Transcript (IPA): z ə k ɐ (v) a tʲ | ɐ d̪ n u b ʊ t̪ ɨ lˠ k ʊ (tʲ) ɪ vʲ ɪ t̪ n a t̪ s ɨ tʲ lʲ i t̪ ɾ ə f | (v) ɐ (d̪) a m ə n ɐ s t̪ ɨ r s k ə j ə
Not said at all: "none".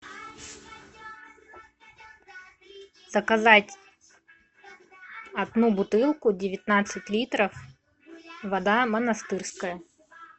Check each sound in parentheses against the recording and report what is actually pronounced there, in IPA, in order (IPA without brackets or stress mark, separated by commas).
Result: z, dʲ, v, d̪